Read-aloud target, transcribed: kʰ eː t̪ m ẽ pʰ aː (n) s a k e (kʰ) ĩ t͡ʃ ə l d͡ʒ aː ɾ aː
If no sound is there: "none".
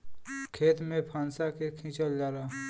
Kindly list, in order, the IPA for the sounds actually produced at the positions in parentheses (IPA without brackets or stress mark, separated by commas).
n, kʰ